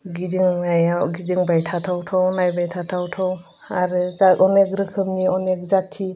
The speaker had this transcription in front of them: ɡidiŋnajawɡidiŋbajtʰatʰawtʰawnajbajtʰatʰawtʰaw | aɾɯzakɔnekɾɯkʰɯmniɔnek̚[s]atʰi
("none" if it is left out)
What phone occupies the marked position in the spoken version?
z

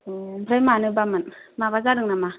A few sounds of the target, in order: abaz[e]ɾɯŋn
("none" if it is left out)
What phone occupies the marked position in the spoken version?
a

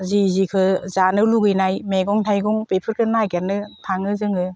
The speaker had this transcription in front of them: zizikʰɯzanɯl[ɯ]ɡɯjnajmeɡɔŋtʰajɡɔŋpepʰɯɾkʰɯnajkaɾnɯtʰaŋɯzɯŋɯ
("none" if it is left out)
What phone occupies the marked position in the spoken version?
u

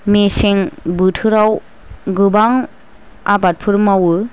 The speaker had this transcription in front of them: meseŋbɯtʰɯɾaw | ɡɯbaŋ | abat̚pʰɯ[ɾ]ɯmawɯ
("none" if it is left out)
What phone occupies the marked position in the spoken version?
ɾ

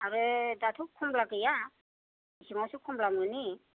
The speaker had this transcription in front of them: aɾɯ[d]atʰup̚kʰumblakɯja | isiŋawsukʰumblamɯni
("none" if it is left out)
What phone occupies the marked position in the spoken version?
d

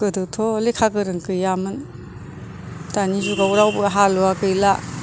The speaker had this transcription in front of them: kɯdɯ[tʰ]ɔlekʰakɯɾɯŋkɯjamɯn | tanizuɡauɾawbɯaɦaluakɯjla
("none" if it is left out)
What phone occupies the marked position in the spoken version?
tʰ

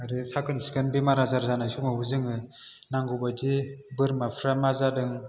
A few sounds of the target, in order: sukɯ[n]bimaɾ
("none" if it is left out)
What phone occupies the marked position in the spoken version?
n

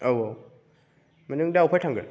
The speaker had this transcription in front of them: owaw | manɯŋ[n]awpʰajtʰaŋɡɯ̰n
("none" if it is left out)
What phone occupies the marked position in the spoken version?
d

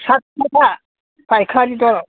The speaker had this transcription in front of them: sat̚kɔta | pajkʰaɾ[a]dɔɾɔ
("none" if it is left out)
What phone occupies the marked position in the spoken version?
i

